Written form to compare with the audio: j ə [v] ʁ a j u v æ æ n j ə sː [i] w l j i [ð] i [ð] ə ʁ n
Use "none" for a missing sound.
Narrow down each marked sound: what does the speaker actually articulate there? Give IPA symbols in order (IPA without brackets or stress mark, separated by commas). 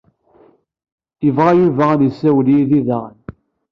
v, æ, ð, ð